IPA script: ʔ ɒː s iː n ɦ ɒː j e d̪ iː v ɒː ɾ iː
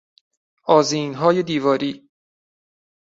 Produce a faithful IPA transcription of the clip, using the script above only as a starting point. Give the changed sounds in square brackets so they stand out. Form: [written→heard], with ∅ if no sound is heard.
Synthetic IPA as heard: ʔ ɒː [s→z] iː n ɦ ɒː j e d̪ iː v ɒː ɾ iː